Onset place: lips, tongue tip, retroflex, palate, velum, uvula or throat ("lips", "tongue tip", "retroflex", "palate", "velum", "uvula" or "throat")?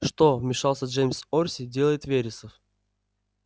retroflex